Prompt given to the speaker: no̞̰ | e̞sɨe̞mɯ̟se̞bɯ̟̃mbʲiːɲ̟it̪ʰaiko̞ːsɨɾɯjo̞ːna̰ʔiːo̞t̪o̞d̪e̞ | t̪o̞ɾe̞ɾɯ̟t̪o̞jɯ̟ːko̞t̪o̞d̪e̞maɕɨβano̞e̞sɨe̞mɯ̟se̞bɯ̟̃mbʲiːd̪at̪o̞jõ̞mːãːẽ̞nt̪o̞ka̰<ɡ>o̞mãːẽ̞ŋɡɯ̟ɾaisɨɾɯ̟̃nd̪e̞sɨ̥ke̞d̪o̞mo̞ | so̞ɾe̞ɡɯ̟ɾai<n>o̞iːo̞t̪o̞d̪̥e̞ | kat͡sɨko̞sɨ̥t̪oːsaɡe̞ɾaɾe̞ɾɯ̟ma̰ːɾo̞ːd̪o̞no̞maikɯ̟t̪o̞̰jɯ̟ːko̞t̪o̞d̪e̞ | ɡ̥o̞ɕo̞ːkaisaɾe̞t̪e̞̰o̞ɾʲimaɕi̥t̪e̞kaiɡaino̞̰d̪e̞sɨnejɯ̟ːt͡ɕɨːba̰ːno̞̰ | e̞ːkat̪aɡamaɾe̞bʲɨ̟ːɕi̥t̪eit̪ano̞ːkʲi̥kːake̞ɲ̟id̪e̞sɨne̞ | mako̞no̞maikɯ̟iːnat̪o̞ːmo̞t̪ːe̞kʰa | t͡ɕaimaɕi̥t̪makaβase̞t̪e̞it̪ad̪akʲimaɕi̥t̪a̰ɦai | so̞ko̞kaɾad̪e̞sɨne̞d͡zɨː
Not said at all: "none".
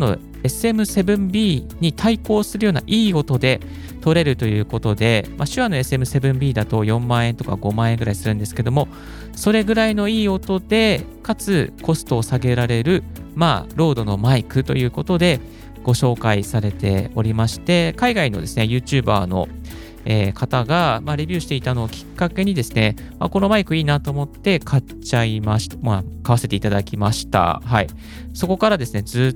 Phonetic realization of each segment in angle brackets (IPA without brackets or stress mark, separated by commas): ɡ, n